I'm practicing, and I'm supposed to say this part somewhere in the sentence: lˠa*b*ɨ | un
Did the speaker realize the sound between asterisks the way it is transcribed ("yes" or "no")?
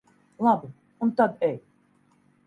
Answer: yes